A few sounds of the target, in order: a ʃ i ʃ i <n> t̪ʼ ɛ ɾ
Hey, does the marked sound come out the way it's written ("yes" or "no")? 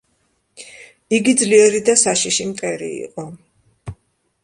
no